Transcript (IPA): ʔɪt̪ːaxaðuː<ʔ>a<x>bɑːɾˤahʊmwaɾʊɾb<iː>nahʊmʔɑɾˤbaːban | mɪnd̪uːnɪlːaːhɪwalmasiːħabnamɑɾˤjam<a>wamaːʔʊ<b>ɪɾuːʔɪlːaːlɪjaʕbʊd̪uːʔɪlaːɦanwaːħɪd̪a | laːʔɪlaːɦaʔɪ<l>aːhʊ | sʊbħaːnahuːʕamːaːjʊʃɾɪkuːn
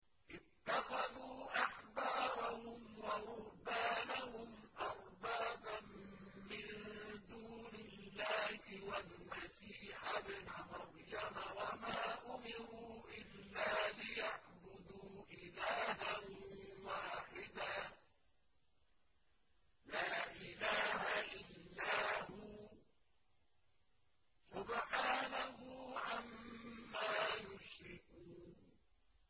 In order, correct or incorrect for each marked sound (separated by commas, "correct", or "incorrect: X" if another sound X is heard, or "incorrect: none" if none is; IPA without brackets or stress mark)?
correct, incorrect: ħ, incorrect: aː, correct, incorrect: m, incorrect: lː